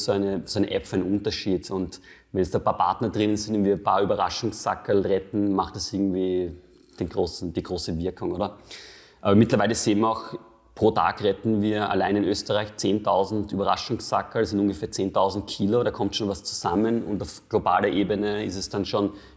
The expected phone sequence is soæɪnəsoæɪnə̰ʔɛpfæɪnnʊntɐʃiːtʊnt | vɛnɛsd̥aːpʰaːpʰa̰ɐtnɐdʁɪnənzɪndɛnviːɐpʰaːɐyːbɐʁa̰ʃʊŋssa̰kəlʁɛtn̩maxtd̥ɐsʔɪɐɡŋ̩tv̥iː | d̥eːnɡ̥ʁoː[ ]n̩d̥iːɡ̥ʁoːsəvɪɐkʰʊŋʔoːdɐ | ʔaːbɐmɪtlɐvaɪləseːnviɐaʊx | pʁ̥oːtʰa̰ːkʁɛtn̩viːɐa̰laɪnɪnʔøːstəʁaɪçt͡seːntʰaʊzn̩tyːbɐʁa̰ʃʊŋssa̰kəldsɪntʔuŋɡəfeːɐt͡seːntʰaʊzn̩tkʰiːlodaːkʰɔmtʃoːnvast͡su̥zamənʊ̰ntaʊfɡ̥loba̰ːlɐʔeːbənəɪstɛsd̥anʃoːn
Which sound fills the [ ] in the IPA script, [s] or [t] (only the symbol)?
s